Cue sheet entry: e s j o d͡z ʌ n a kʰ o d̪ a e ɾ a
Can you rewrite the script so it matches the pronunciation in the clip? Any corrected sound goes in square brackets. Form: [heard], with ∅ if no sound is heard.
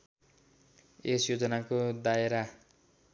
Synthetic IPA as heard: e s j o d͡z ʌ n a [k] o d̪ a e ɾ a